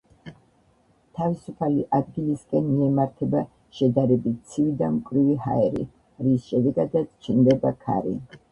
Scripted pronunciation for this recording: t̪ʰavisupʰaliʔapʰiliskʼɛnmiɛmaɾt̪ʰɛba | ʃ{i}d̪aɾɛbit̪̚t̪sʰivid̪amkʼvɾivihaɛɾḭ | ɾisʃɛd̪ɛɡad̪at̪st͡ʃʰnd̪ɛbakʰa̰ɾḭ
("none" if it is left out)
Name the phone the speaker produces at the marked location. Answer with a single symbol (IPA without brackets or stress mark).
ɛ